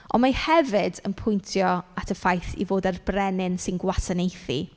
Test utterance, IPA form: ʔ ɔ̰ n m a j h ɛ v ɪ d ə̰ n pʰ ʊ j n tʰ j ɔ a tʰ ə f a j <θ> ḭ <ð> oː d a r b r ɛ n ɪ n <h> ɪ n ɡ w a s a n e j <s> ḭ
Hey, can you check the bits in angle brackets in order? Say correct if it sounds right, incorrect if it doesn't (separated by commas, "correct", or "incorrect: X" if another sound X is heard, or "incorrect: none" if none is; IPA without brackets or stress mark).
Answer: correct, incorrect: v, incorrect: s, incorrect: θ